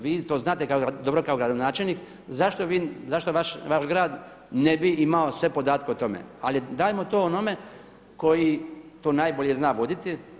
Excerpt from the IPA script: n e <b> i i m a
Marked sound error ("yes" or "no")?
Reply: no